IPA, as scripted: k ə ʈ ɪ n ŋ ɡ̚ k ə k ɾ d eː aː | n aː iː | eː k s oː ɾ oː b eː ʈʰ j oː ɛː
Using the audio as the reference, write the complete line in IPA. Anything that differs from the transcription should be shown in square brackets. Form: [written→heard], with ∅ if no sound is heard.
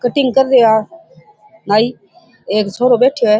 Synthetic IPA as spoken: k ə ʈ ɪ [n→∅] ŋ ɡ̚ k ə [k→∅] ɾ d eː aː | n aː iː | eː k s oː ɾ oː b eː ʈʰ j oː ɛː